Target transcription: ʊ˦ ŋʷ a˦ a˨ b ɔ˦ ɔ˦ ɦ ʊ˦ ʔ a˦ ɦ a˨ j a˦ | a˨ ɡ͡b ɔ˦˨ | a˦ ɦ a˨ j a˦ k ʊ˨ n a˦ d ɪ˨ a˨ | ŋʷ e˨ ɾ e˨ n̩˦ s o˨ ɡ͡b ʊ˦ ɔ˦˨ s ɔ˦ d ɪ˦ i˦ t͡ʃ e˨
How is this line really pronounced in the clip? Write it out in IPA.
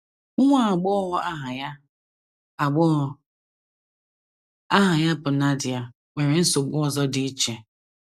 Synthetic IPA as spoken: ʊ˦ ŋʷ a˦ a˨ ɡ͡b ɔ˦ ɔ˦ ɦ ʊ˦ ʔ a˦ ɦ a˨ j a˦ | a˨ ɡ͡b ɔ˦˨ | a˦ ɦ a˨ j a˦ p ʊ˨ n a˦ d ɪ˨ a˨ | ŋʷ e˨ ɾ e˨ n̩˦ s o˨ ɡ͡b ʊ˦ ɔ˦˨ z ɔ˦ d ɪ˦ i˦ t͡ʃ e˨